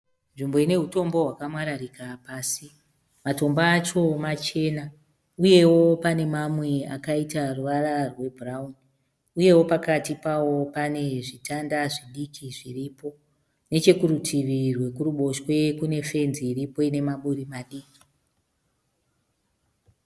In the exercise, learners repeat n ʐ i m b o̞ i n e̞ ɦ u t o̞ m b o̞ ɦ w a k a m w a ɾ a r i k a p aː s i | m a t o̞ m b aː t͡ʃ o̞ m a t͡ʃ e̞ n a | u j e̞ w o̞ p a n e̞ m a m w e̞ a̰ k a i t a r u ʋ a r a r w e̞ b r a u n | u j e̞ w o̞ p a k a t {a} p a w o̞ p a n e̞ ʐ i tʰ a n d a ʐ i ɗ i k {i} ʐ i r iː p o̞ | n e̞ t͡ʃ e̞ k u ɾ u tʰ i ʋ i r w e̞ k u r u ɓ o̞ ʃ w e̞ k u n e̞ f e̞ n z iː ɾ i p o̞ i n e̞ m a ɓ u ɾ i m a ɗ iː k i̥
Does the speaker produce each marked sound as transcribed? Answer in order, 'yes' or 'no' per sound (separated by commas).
no, yes